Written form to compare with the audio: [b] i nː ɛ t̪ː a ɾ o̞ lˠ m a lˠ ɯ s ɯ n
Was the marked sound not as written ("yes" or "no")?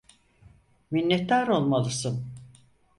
yes